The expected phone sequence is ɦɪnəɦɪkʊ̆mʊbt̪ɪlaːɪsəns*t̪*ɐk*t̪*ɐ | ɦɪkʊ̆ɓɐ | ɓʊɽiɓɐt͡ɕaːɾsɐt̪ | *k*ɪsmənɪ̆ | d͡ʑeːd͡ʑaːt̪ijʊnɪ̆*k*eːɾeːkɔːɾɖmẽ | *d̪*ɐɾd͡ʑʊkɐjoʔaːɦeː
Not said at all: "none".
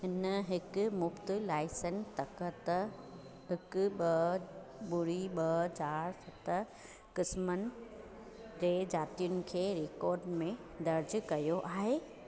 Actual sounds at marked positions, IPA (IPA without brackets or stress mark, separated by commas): t̪, t̪, k, kʰ, d̪